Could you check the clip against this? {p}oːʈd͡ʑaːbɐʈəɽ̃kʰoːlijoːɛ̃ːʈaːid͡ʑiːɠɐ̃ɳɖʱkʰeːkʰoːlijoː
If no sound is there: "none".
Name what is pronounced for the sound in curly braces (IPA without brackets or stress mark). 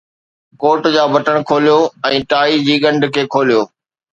k